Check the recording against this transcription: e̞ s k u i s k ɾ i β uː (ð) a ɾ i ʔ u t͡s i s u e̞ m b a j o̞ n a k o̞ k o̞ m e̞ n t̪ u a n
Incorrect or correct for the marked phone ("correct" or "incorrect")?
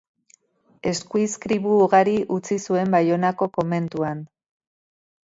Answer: incorrect